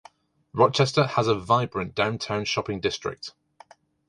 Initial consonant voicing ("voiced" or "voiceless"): voiced